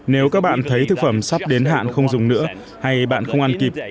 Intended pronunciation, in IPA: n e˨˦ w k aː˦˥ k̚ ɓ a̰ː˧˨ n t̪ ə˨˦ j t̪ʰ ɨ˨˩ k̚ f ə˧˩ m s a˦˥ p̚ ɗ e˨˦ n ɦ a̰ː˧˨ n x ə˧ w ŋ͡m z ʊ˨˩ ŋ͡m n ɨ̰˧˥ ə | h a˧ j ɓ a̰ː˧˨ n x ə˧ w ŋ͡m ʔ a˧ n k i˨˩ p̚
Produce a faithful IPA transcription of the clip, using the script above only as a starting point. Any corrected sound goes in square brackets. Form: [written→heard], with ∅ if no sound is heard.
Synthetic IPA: n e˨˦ w k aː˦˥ k̚ ɓ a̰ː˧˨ n [t̪→t̪ʰ] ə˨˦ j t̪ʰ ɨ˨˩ k̚ f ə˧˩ m s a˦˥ p̚ ɗ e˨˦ n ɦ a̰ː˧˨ n x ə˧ w ŋ͡m z ʊ˨˩ ŋ͡m n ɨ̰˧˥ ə | h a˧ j ɓ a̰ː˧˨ n x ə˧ w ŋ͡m ʔ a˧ n k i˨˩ p̚

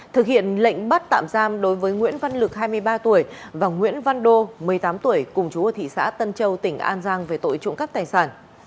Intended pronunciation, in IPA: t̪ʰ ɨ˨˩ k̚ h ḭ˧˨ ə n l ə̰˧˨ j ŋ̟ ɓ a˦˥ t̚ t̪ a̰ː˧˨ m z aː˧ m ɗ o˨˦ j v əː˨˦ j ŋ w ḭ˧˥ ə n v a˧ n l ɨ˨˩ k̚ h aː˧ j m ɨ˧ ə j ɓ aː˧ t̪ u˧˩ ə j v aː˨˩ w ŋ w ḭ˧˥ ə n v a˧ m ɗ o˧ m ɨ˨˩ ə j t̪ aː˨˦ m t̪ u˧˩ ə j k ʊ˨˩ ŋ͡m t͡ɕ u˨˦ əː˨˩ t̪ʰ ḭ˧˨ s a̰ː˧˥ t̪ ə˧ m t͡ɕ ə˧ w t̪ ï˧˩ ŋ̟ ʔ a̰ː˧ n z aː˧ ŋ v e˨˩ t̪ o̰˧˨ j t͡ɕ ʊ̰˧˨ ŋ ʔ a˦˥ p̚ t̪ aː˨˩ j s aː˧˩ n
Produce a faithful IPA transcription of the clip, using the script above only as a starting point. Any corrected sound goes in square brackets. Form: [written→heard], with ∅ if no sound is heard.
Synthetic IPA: t̪ʰ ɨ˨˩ k̚ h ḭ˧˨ ə n l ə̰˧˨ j ŋ̟ ɓ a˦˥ t̚ t̪ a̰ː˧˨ m z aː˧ m ɗ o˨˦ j v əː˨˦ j ŋ w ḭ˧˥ ə n v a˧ n l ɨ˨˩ k̚ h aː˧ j m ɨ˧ ə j ɓ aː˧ t̪ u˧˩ ə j v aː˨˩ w ŋ w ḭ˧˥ ə n v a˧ [m→n] ɗ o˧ m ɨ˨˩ ə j t̪ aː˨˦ m t̪ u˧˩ ə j k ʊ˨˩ ŋ͡m t͡ɕ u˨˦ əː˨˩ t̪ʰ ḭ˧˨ s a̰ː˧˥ t̪ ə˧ [m→n] t͡ɕ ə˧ w t̪ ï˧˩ ŋ̟ ʔ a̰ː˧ n z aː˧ ŋ v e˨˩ t̪ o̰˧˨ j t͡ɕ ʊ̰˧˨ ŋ [ʔ→k] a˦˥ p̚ t̪ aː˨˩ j s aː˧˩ n

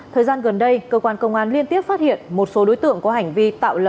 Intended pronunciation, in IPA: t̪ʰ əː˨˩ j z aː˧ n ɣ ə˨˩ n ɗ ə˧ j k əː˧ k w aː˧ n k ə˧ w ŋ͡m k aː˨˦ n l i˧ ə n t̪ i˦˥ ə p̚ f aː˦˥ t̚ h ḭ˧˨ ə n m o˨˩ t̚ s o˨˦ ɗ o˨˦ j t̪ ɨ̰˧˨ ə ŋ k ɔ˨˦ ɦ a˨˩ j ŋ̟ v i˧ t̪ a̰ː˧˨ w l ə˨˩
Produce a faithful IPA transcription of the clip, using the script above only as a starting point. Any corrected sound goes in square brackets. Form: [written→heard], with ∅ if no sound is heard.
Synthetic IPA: t̪ʰ əː˨˩ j z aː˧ n ɣ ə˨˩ n ɗ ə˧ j k əː˧ k w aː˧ n k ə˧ w ŋ͡m [k→ʔ] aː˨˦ n l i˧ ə n t̪ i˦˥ ə p̚ f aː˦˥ t̚ h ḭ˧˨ ə n m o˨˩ t̚ s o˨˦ ɗ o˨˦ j t̪ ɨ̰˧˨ ə ŋ k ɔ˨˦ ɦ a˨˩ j ŋ̟ v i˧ t̪ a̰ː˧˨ w l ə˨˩

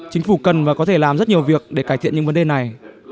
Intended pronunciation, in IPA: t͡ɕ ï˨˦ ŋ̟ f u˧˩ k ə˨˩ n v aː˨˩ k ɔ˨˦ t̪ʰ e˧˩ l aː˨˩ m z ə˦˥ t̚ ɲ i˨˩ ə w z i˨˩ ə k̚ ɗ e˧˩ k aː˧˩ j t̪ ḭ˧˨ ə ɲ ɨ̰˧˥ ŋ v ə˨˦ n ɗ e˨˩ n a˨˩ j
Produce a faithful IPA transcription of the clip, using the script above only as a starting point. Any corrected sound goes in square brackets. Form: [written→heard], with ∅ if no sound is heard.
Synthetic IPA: t͡ɕ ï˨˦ ŋ̟ f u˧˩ k ə˨˩ n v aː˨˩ k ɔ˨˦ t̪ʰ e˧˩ l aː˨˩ m z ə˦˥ t̚ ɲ i˨˩ ə w [z→v] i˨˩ ə k̚ ɗ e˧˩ k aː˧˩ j t̪ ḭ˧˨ ə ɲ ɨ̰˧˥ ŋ v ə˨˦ n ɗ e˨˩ n a˨˩ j

